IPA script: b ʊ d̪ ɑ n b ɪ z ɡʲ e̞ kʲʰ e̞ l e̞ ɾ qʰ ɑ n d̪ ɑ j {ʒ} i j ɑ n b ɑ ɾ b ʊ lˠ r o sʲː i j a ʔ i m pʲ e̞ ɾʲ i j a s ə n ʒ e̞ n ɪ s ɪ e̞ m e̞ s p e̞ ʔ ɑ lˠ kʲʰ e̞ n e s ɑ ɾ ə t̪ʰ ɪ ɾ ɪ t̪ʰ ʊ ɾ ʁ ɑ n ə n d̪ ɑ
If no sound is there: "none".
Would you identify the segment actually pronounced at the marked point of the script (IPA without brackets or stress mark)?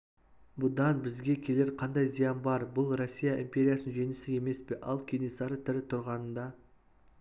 z